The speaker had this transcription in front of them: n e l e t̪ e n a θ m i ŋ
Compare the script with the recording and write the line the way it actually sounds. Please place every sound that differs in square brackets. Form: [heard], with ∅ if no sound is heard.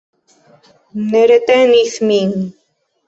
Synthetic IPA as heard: n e [ɾ] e t̪ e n [i] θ m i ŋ